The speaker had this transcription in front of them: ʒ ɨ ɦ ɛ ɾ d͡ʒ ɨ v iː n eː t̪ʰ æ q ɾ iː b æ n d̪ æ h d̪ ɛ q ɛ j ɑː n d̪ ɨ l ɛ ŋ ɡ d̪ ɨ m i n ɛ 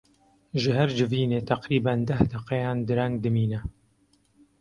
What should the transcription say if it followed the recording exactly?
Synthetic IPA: ʒ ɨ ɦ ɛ ɾ d͡ʒ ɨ v iː n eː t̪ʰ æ q ɾ iː b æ n d̪ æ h d̪ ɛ q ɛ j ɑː n d̪ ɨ ɾ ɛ ŋ ɡ d̪ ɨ m iː n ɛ